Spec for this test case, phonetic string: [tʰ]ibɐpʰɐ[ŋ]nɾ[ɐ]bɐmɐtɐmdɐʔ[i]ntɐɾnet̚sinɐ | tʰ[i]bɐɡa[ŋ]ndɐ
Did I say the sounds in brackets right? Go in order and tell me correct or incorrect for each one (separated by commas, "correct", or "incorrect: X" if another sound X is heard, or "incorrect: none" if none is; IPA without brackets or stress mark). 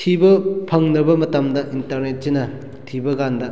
correct, correct, correct, correct, correct, incorrect: none